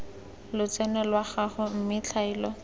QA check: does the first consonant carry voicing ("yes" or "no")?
yes